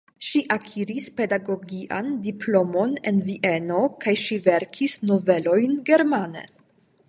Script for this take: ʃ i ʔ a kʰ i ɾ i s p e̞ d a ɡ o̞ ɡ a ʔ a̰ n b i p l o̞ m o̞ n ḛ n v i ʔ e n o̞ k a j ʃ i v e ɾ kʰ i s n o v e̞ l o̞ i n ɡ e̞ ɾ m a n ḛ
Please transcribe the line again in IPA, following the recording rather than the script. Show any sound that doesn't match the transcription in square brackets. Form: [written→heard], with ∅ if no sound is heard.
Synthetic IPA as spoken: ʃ i ʔ a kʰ i ɾ i s p e̞ d a ɡ o̞ ɡ [a→i] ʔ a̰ n [b→d] i p l o̞ m o̞ n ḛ n v i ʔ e n o̞ k a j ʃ i v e ɾ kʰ i s n o v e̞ l o̞ [i→j] n ɡ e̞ ɾ m a n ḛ